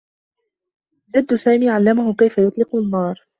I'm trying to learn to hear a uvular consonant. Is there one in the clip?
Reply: yes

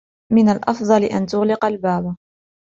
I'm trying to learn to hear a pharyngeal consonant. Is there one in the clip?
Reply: no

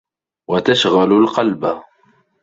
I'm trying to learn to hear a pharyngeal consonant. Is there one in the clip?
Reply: no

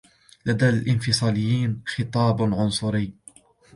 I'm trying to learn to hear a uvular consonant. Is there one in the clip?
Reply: no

